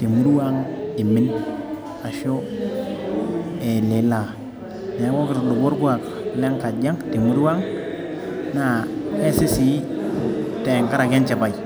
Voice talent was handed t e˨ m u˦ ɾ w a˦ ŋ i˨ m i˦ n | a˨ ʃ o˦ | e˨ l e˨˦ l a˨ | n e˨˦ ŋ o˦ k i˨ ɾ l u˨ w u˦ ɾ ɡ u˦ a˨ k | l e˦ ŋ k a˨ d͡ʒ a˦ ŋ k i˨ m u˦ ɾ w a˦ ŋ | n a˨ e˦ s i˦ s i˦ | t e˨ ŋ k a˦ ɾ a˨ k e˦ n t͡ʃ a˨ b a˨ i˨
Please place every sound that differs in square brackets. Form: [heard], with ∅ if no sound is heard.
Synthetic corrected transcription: t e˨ m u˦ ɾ w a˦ ŋ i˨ m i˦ n | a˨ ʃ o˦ | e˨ l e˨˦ l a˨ | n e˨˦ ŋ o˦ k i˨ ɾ l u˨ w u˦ ɾ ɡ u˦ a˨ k | l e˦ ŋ k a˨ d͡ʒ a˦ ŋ [t] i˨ m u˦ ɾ w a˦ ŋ | n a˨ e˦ s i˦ s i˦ | t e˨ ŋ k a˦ ɾ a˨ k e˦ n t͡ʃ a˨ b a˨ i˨